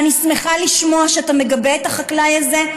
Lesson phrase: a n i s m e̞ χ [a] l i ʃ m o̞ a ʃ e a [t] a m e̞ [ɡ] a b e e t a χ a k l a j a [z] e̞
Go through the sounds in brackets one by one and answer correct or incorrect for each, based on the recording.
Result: correct, correct, correct, correct

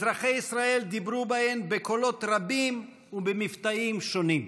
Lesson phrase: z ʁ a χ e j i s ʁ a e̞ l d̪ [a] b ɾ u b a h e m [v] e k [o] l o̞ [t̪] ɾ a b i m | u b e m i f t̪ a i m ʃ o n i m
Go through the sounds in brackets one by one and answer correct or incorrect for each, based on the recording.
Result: incorrect, incorrect, correct, correct

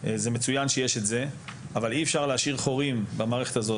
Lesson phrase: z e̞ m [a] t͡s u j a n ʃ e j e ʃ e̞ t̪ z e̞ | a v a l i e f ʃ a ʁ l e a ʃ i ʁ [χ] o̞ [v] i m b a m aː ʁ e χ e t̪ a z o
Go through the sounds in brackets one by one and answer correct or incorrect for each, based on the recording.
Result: incorrect, correct, incorrect

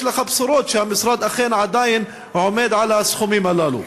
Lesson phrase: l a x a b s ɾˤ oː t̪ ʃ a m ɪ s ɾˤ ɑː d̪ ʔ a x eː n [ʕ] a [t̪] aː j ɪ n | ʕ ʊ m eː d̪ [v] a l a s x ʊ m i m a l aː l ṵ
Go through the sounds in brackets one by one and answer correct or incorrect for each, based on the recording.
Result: correct, incorrect, incorrect

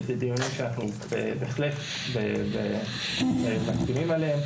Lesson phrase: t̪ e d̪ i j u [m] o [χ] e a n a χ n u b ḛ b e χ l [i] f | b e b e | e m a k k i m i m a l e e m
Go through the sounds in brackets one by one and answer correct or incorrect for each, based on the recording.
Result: incorrect, incorrect, incorrect

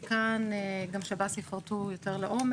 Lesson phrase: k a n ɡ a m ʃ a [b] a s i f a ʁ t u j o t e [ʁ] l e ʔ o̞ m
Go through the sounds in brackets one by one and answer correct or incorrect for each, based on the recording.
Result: correct, correct

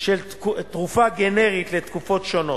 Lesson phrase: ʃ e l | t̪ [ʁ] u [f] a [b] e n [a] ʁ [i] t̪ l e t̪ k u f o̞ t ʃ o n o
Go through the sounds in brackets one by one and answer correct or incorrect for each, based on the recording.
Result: correct, correct, incorrect, incorrect, correct

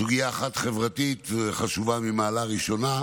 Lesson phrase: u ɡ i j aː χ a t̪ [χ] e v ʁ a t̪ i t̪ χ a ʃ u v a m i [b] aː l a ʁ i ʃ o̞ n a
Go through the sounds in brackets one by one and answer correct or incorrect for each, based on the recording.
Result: correct, incorrect

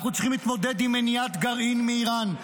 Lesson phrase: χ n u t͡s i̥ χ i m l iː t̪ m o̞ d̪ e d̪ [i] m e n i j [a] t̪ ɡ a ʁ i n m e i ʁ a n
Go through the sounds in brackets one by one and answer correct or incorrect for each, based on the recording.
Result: correct, correct

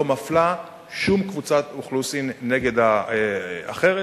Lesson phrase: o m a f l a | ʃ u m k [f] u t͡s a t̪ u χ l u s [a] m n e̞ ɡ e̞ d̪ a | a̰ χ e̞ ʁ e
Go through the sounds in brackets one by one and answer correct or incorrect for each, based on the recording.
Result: incorrect, incorrect

